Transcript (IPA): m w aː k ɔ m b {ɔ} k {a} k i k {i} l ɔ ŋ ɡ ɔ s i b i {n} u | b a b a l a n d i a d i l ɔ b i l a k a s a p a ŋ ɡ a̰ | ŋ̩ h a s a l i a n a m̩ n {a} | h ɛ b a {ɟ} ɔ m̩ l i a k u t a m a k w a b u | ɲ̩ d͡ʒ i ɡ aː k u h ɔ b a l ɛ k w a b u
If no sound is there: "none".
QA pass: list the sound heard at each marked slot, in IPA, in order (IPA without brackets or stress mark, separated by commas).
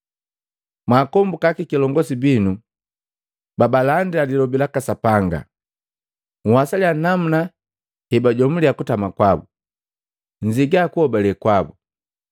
u, a, i, n, a, ɟ